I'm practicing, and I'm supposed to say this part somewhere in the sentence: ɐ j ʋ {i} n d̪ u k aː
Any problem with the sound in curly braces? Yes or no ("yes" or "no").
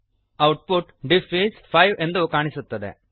yes